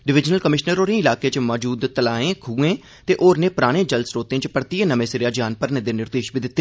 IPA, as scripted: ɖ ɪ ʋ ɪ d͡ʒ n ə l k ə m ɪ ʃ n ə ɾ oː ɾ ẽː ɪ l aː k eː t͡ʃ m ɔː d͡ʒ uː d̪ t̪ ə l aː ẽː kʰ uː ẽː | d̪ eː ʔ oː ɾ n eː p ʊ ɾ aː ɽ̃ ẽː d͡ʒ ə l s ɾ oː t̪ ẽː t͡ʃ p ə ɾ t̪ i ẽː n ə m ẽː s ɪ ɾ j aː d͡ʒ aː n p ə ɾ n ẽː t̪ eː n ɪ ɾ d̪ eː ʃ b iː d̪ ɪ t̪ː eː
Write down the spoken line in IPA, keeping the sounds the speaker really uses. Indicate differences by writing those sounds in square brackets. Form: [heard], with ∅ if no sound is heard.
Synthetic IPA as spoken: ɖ ɪ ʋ ɪ d͡ʒ n ə l k ə m ɪ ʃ n ə ɾ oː ɾ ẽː ɪ l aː k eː t͡ʃ m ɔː d͡ʒ uː d̪ t̪ ə l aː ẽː kʰ uː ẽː | [t̪] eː ʔ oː ɾ n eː p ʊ ɾ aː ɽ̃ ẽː d͡ʒ ə l s ɾ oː t̪ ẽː t͡ʃ p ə ɾ t̪ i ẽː n ə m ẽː s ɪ ɾ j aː d͡ʒ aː n p ə ɾ n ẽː [d̪] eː n ɪ ɾ d̪ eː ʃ b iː d̪ ɪ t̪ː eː